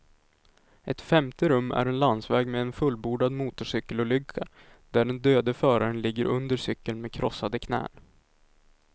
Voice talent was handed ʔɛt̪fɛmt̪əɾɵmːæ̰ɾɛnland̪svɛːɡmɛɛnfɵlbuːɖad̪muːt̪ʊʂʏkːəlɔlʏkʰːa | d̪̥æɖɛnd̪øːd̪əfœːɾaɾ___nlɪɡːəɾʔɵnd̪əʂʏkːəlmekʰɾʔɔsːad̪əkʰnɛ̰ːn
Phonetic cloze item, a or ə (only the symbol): ə